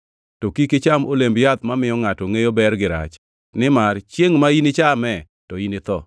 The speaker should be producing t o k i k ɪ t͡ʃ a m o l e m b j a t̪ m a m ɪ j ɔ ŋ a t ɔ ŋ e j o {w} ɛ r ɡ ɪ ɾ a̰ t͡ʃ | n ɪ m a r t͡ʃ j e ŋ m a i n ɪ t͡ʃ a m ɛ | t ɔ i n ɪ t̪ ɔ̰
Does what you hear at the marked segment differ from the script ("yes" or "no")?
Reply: yes